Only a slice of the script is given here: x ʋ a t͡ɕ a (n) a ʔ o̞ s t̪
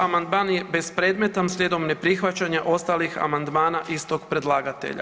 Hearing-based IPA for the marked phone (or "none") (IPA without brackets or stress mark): ɲ